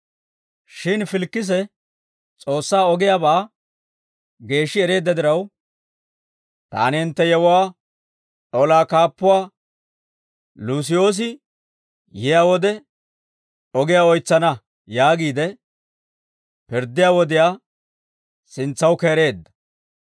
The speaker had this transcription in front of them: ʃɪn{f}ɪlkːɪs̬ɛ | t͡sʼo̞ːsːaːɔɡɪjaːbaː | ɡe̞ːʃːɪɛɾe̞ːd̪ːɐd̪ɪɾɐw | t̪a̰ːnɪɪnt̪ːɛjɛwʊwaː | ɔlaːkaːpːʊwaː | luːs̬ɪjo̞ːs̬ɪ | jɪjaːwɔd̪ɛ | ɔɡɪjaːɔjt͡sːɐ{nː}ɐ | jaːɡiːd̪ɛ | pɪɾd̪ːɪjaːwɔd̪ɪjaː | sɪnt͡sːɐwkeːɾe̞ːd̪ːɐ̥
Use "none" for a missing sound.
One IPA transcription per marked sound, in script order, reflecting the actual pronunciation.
f, n

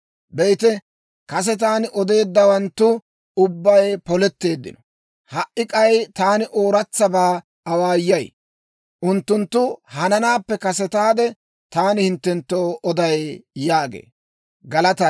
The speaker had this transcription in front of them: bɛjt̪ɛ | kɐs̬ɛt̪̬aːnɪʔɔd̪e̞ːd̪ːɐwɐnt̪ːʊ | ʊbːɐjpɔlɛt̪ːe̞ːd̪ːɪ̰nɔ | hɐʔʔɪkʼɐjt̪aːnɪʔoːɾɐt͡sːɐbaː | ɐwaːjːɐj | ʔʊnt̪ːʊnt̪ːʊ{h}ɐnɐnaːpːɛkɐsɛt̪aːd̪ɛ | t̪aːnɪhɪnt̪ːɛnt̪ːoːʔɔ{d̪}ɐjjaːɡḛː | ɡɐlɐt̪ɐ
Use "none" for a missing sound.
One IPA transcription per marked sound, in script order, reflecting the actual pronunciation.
h, d̪

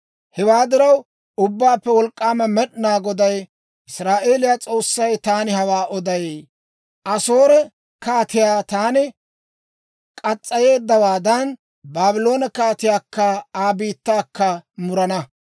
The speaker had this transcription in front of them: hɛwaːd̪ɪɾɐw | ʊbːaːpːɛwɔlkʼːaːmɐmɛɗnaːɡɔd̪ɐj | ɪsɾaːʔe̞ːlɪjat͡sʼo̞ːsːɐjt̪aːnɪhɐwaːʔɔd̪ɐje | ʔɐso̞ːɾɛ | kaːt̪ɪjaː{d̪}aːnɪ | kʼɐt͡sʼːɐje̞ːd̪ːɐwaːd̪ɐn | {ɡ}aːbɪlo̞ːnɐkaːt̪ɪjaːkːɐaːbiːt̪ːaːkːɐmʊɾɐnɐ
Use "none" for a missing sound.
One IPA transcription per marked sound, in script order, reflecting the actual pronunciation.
t̪, b

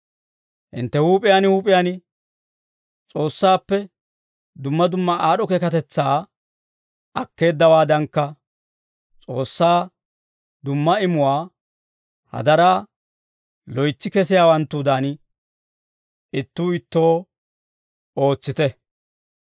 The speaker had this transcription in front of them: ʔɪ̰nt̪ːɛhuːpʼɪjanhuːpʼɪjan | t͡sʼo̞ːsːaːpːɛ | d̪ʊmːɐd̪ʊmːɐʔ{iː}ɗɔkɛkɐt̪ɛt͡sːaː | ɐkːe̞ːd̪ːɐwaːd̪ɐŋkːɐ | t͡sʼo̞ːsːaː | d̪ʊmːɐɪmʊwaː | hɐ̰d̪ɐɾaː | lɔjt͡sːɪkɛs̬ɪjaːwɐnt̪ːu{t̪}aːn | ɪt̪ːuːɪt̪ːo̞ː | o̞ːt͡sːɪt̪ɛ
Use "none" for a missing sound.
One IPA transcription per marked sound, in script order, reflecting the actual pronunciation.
aː, d̪

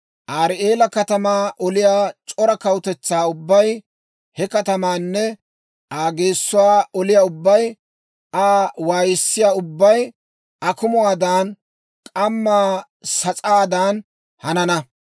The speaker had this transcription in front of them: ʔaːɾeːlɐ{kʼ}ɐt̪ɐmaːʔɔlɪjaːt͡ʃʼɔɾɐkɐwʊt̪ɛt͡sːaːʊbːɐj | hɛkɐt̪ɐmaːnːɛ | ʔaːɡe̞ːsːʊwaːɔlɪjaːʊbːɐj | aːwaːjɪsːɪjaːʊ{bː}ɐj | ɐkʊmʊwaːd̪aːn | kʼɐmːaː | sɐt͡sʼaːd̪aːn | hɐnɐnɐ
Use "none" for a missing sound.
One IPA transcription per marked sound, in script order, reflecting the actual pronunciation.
k, bː

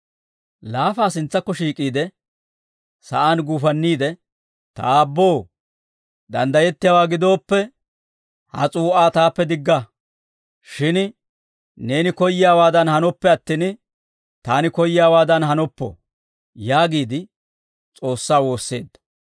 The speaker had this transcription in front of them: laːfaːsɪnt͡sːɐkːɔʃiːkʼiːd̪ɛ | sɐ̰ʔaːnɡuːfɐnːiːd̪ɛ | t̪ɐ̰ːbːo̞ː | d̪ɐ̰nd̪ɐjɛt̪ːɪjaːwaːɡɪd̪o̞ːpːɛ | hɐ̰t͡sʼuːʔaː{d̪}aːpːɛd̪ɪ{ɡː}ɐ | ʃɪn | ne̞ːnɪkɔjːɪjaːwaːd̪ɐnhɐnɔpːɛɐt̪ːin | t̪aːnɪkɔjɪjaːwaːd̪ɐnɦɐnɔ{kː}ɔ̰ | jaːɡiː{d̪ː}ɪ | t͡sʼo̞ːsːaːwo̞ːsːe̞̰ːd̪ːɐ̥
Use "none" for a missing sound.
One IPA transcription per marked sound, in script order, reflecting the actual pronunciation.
t̪, ɡː, pː, d̪

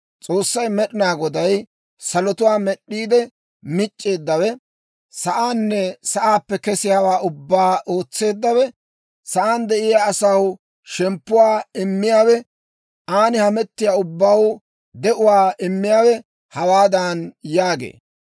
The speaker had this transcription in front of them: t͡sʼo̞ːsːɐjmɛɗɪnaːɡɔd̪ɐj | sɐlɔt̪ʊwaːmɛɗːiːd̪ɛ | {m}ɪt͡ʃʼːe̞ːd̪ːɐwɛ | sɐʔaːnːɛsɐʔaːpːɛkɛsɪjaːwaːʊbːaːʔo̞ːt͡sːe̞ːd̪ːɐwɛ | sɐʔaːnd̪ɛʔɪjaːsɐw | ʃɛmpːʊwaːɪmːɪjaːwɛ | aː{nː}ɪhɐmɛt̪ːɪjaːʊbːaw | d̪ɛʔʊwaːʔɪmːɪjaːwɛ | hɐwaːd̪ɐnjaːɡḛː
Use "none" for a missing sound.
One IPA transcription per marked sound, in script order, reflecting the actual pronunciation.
m, n

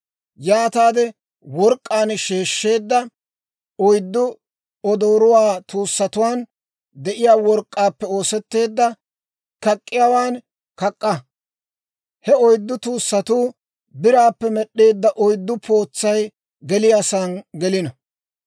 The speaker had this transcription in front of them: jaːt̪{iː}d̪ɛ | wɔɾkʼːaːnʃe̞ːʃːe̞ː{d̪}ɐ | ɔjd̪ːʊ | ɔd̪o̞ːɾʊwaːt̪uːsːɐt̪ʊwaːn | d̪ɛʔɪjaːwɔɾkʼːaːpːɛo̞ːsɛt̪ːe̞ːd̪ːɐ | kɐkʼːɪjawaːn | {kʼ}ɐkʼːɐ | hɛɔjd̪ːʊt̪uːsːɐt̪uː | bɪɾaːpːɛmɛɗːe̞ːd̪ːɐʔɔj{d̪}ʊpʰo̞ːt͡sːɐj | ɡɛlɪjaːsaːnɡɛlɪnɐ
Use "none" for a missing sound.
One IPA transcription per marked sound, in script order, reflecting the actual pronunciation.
aː, d̪ː, k, d̪ː

